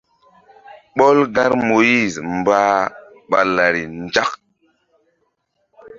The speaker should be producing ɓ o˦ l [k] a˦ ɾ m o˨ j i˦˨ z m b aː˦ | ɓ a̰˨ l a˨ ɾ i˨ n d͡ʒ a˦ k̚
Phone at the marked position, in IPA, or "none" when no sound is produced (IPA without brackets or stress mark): ɡ